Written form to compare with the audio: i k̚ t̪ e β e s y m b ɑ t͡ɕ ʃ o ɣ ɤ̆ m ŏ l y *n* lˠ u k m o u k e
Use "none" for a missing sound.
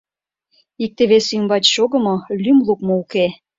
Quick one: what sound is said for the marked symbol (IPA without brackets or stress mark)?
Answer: m